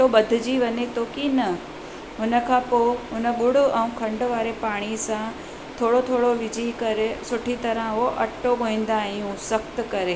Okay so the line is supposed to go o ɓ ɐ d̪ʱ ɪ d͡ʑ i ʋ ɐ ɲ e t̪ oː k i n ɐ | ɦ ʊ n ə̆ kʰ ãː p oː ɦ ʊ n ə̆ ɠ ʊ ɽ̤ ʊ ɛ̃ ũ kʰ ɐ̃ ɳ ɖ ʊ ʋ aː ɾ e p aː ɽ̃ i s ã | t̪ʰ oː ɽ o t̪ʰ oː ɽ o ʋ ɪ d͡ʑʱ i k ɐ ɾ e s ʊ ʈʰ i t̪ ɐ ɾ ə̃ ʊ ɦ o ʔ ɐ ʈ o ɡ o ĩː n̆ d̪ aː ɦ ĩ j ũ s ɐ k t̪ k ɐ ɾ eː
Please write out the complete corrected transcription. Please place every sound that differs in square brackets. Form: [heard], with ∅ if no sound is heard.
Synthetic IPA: o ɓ ɐ d̪ʱ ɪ d͡ʑ i ʋ ɐ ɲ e t̪ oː k i n ɐ | ɦ ʊ n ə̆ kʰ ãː p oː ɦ ʊ n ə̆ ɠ ʊ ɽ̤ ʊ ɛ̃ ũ kʰ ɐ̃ ɳ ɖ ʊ ʋ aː ɾ e p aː ɽ̃ i s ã | t̪ʰ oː ɽ o t̪ʰ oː ɽ o ʋ ɪ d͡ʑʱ i k ɐ ɾ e s ʊ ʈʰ i t̪ ɐ ɾ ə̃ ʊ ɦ o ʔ ɐ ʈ o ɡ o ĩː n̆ d̪ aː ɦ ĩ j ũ s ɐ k t̪ k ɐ ɾ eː

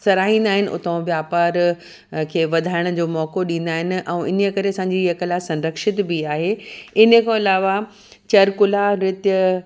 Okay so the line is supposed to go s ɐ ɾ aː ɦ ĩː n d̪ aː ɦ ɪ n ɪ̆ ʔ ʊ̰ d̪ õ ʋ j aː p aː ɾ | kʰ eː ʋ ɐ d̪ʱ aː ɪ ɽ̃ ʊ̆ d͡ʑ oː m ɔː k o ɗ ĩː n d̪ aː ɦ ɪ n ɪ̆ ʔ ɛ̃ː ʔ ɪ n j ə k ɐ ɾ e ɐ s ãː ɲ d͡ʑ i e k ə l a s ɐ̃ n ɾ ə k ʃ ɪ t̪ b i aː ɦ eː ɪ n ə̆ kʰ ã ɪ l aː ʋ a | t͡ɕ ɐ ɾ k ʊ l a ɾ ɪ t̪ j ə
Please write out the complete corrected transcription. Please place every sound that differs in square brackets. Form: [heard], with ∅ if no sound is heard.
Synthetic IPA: s ɐ ɾ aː ɦ ĩː n d̪ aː ɦ ɪ n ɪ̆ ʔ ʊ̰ [t̪] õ ʋ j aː p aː ɾ | kʰ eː ʋ ɐ d̪ʱ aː ɪ ɽ̃ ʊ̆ d͡ʑ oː m ɔː k o ɗ ĩː n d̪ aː ɦ ɪ n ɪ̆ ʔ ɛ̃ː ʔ ɪ n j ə k ɐ ɾ e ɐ s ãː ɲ d͡ʑ i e k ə l a s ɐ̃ n ɾ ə k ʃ ɪ t̪ b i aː ɦ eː ɪ n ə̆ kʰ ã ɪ l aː ʋ a | t͡ɕ ɐ ɾ k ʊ l a ɾ ɪ t̪ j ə

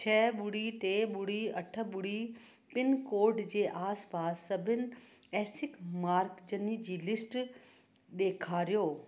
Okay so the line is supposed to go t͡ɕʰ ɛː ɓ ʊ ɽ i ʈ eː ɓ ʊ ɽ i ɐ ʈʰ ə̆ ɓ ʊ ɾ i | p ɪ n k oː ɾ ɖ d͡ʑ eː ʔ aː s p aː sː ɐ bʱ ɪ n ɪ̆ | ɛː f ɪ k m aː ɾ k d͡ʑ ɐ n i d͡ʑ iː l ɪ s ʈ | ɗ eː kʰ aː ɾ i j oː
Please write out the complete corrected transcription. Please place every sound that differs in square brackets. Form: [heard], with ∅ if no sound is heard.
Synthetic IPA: t͡ɕʰ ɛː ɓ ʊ ɽ i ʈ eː ɓ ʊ ɽ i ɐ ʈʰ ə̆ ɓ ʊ [ɽ] i | p ɪ n k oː ɾ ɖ d͡ʑ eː ʔ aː s p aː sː ɐ bʱ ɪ n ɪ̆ | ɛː [s] ɪ k m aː ɾ k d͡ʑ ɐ n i d͡ʑ iː l ɪ s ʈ | ɗ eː kʰ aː ɾ i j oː

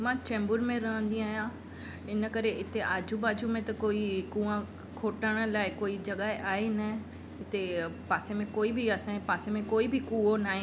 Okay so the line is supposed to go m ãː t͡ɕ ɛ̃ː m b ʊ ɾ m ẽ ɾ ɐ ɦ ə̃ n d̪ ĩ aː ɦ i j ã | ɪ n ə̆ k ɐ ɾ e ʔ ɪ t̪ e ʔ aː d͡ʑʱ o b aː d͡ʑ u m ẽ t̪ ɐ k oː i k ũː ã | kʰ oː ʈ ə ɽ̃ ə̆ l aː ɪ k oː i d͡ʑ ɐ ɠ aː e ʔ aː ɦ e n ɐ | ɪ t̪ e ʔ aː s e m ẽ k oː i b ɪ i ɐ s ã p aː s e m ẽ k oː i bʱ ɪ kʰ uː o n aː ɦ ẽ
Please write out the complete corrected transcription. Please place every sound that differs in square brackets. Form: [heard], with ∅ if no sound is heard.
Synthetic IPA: m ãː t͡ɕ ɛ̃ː m b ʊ ɾ m ẽ ɾ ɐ ɦ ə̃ n d̪ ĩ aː ɦ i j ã | ɪ n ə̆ k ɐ ɾ e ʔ ɪ t̪ e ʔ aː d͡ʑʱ [u] b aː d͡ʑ u m ẽ t̪ ɐ k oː i k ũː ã | kʰ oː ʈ ə ɽ̃ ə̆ l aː ɪ k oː i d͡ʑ ɐ ɠ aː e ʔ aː ɦ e n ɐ | ɪ t̪ e [p] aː s e m ẽ k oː i b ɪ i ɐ s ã p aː s e m ẽ k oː i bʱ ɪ [k] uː o n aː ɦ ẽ

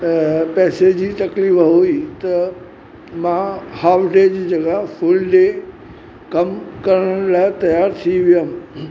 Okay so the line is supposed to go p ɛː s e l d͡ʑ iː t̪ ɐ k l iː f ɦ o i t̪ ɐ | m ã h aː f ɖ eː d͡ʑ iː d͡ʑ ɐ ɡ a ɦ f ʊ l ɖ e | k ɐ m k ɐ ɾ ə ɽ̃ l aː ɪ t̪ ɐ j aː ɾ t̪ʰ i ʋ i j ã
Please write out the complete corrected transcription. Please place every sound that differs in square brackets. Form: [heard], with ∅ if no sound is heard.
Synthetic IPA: p ɛː s e [∅] d͡ʑ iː t̪ ɐ k l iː f ɦ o i t̪ ɐ | m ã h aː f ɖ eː d͡ʑ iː d͡ʑ ɐ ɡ a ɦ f ʊ l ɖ e | k ɐ m k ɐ ɾ ə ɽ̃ l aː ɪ t̪ ɐ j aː ɾ t̪ʰ i ʋ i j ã

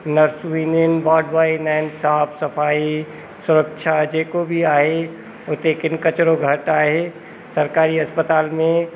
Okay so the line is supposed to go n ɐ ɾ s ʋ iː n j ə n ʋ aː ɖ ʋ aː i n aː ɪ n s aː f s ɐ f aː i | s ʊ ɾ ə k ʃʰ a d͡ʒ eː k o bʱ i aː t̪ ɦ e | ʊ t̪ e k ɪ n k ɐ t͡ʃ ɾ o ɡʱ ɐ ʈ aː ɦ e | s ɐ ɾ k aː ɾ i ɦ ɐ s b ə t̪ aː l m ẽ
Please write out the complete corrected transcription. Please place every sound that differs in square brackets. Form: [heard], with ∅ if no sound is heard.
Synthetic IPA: n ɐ ɾ s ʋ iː n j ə n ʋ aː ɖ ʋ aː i n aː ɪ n s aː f s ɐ f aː i | s ʊ ɾ ə k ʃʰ a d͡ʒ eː k o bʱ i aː [∅] ɦ e | ʊ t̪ e k ɪ n k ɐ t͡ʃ ɾ o ɡʱ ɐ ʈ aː ɦ e | s ɐ ɾ k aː ɾ i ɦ ɐ s [p] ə t̪ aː l m ẽ

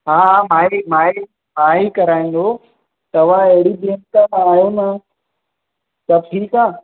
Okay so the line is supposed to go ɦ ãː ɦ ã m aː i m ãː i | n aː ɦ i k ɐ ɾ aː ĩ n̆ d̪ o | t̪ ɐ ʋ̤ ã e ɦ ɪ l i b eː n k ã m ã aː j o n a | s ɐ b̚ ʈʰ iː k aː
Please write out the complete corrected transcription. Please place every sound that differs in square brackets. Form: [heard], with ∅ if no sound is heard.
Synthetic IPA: ɦ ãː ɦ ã m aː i m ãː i | [m] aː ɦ i k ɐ ɾ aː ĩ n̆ d̪ o | t̪ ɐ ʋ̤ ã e ɦ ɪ [ɽ] i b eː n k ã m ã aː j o n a | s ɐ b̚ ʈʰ iː k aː

